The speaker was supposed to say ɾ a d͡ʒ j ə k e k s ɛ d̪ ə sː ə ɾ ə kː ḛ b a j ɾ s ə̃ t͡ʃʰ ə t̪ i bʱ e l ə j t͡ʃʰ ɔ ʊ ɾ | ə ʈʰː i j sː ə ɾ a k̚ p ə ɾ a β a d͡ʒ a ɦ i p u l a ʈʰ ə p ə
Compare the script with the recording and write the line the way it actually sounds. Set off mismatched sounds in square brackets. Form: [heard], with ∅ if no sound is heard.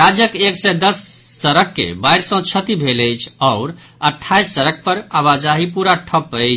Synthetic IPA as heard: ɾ a d͡ʒ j ə k e k s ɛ d̪ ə sː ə ɾ ə kː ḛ b a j ɾ s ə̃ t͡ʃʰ ə t̪ i bʱ e l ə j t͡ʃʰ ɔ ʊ ɾ | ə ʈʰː [a] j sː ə ɾ [ə] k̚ p ə ɾ a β a d͡ʒ a ɦ i p u [ɾ] a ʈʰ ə p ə